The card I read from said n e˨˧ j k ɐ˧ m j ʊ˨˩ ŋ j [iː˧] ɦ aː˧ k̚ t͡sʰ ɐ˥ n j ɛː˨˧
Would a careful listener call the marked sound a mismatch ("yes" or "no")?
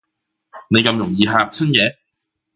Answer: no